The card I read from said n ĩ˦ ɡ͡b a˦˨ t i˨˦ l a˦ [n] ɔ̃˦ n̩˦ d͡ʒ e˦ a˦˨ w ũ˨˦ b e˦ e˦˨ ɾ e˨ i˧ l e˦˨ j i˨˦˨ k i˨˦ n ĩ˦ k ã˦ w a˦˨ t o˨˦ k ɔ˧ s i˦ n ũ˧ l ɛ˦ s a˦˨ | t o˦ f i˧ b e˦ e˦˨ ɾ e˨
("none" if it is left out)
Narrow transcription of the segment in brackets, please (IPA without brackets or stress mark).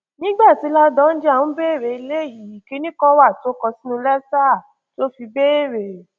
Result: d